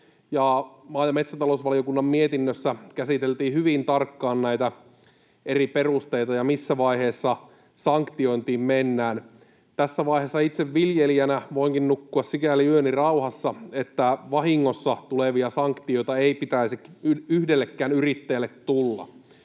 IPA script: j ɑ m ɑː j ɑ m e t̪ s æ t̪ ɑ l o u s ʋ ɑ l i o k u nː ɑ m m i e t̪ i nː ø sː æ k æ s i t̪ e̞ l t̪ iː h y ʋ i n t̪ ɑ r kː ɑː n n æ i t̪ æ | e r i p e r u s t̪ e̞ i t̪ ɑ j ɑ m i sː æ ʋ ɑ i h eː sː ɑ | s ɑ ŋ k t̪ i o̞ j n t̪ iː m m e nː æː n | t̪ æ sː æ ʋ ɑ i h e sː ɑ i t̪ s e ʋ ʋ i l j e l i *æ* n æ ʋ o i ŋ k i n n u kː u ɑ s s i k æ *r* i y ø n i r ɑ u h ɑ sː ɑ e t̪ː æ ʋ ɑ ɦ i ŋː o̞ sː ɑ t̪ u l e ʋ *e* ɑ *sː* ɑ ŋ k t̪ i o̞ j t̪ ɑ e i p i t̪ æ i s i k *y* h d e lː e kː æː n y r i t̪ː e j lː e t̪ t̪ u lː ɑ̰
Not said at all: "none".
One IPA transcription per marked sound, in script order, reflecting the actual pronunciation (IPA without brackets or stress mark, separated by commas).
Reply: æ, l, i, s, y